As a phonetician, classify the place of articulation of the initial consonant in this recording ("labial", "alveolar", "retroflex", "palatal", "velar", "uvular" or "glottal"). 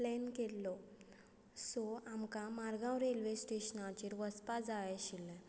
alveolar